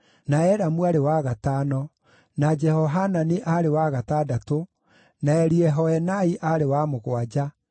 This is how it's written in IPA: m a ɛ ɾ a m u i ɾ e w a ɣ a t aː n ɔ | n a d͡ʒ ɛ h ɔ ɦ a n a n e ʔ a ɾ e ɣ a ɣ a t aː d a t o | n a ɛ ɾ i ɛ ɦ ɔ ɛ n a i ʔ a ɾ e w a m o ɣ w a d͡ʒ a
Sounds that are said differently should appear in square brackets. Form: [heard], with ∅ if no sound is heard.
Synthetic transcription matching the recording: [n] a ɛ ɾ a m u [a] ɾ e w a ɣ a t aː n ɔ | n a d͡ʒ ɛ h ɔ ɦ a n a n e ʔ a ɾ e [w] a ɣ a t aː d a t o | n a ɛ ɾ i ɛ ɦ ɔ ɛ n a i ʔ a ɾ e w a m o ɣ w a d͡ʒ a